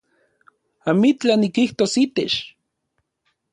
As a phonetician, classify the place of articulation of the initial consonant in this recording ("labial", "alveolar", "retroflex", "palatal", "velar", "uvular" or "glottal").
labial